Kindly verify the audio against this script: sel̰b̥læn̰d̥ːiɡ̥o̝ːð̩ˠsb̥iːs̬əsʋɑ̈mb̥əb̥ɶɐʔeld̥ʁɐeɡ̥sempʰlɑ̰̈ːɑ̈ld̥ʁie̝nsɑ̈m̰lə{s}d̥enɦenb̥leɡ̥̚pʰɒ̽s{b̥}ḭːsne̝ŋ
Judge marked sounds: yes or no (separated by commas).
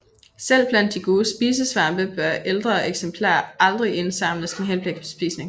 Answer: yes, yes